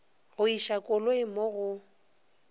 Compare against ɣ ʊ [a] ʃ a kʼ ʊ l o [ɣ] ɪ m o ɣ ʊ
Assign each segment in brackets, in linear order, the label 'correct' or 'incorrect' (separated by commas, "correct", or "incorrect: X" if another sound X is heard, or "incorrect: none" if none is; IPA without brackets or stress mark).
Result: incorrect: i, incorrect: none